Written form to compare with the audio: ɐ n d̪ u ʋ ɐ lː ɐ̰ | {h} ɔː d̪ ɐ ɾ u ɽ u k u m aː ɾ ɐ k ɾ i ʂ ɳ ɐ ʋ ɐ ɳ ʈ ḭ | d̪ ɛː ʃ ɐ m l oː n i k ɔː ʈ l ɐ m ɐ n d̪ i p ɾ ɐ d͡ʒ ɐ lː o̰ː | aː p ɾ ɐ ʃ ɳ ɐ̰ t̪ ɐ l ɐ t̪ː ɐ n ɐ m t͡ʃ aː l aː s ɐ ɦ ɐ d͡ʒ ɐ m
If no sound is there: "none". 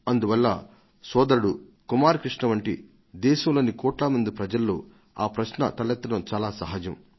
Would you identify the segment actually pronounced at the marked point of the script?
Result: s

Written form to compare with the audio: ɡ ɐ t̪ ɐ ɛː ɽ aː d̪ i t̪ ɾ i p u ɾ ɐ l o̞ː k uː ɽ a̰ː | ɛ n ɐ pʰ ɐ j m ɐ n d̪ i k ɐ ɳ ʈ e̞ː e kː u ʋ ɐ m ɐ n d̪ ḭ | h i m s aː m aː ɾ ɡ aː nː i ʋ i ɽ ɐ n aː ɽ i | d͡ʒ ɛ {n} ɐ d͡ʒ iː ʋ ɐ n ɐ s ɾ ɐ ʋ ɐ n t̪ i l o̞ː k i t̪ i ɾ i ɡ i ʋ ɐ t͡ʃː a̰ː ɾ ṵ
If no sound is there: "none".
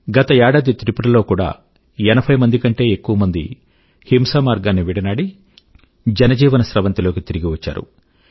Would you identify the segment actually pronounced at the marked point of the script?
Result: n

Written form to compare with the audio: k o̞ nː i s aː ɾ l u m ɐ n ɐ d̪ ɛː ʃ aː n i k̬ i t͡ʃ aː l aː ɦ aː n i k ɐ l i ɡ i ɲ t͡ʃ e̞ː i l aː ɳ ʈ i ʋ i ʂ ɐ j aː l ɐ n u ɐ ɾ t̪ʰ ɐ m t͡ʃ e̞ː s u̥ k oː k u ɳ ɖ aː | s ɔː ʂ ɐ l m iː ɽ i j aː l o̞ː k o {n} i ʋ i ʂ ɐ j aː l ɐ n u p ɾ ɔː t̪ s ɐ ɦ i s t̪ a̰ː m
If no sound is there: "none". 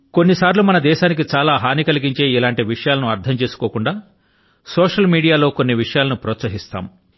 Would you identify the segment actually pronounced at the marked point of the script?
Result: nː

